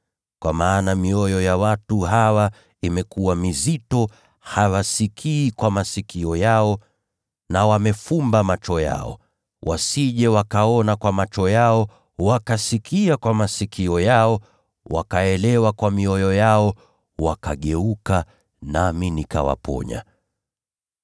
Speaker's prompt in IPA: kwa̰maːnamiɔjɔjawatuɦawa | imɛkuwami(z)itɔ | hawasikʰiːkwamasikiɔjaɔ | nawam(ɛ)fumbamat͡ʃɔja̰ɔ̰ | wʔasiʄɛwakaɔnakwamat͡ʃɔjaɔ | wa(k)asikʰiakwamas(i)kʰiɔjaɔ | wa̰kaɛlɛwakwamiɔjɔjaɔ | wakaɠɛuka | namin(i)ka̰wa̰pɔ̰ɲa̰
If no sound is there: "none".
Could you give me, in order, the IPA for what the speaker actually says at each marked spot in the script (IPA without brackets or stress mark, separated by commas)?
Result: z, ɛ, k, i, i